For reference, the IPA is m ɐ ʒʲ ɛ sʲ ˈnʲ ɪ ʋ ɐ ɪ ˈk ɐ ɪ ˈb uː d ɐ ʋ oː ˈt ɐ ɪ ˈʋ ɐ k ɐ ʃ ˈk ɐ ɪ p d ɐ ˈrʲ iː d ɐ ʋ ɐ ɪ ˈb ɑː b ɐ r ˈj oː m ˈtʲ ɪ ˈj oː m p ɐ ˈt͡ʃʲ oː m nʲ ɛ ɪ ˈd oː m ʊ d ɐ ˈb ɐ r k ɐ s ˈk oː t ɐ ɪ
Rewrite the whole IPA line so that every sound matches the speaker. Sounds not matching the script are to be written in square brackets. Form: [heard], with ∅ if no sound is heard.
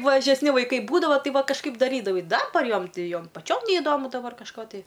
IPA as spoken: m ɐ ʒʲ ɛ sʲ ˈnʲ ɪ ʋ ɐ ɪ ˈk ɐ ɪ ˈb uː d ɐ ʋ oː ˈt ɐ ɪ ˈʋ ɐ k ɐ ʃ ˈk ɐ ɪ p d ɐ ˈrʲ iː d ɐ ʋ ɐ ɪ [ˈd] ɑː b ɐ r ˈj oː m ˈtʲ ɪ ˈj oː m p ɐ ˈt͡ʃʲ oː m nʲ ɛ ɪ ˈd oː m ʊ d ɐ ˈb ɐ r k ɐ [ʃ] ˈk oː t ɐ ɪ